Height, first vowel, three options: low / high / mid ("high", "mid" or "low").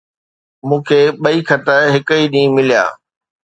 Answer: high